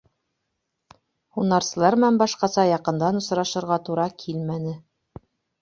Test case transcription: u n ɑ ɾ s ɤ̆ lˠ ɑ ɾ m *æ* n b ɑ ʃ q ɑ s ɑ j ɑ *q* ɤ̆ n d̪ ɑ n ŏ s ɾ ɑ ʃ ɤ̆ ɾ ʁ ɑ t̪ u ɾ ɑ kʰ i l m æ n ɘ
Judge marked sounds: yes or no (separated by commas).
yes, yes